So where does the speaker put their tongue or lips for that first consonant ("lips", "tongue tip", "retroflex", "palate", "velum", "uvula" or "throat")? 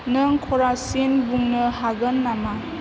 tongue tip